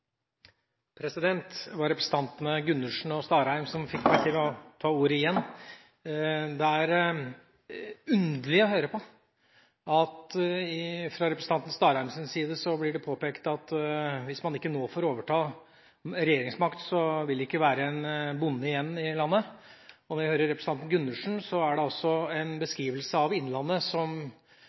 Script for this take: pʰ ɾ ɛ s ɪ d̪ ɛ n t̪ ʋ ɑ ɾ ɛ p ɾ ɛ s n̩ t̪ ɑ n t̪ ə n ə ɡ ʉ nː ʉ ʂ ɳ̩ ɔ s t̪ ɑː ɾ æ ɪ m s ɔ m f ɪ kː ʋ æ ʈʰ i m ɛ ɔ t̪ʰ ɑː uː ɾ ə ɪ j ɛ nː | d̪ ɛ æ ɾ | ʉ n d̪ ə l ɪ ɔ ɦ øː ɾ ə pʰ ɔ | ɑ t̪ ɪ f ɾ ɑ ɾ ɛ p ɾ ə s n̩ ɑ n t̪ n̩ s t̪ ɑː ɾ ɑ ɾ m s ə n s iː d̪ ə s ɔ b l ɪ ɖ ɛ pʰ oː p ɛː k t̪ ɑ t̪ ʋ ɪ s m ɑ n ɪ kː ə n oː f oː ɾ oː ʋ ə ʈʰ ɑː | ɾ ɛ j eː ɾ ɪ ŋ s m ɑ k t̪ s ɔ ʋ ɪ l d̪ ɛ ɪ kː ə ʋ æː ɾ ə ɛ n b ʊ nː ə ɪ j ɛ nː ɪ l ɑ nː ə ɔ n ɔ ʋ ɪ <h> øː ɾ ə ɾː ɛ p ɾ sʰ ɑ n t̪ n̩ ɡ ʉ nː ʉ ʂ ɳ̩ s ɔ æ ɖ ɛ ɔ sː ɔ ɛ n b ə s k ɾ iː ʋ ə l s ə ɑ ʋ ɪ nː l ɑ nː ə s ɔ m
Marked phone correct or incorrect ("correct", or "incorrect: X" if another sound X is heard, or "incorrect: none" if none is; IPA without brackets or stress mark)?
correct